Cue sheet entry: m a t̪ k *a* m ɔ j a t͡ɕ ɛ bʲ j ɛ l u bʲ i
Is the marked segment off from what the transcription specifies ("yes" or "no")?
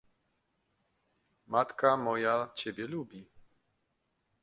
no